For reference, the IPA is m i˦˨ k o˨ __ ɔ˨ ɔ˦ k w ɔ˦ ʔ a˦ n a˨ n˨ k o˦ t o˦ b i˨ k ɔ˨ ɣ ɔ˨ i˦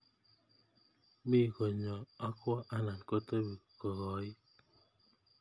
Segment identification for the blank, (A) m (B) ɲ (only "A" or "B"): B